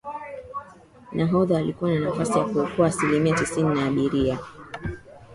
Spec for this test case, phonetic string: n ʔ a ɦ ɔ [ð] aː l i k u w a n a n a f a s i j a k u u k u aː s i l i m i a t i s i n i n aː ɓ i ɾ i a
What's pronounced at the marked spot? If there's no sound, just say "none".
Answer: ð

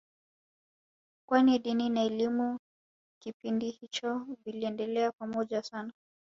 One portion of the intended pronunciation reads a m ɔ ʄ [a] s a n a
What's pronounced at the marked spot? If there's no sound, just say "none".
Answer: a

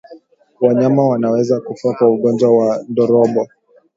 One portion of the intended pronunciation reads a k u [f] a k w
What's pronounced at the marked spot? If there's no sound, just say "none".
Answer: f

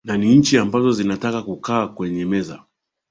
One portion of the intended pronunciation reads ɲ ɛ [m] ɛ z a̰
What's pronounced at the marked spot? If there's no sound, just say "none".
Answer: m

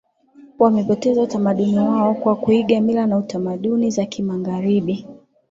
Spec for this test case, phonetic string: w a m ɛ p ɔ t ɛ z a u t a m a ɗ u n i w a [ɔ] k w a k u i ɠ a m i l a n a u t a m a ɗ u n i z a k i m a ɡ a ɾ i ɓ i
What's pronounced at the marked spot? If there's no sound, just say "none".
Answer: ɔ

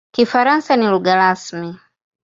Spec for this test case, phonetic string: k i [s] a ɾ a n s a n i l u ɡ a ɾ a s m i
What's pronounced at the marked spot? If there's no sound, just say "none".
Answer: f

